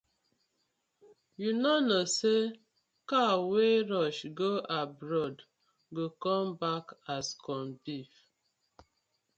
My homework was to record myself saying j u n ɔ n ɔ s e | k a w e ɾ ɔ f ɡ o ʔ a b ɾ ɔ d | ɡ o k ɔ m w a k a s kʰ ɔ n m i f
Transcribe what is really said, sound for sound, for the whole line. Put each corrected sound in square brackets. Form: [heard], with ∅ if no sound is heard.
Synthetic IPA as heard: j u n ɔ n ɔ s e | k a w e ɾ ɔ [ʃ] ɡ o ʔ a b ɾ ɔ d | ɡ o k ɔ m [b] a k a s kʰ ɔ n [b] i f